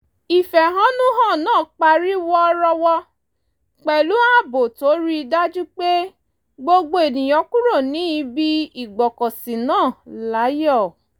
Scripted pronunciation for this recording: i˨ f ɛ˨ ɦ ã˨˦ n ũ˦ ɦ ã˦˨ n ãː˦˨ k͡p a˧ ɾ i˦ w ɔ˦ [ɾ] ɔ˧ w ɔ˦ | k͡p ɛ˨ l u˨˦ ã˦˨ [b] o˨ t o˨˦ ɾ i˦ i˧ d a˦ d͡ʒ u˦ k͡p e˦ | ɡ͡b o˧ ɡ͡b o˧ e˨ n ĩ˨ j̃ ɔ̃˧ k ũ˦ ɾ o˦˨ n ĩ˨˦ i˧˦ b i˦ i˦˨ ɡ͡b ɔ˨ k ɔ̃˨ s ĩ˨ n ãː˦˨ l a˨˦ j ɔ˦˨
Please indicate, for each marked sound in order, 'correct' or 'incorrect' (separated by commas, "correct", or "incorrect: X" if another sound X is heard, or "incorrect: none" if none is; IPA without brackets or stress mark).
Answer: correct, correct